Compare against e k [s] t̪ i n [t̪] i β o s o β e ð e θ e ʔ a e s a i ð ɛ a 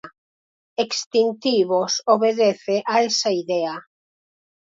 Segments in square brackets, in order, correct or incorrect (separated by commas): correct, correct